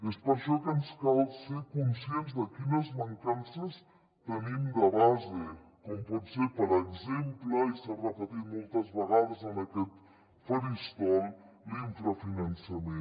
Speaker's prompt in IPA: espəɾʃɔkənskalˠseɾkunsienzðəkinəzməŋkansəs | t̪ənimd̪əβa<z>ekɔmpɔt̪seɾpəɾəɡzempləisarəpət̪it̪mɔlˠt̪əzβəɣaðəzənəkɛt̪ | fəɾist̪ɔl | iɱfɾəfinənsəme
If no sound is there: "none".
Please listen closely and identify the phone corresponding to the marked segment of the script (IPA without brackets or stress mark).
z